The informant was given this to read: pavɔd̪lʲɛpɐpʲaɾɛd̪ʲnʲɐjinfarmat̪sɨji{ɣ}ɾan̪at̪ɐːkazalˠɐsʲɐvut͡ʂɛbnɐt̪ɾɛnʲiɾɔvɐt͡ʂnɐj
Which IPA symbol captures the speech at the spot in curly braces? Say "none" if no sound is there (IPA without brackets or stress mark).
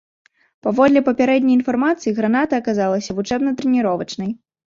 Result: ɣ